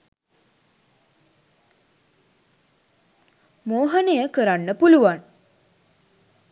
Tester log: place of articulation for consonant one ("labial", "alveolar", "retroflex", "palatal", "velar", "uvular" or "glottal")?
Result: labial